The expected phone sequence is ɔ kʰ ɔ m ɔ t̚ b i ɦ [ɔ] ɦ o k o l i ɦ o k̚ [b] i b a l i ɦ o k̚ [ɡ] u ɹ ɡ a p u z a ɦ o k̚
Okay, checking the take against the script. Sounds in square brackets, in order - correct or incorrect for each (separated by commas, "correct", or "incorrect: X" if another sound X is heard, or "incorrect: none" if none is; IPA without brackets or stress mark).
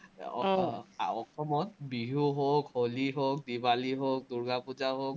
incorrect: u, incorrect: d, incorrect: d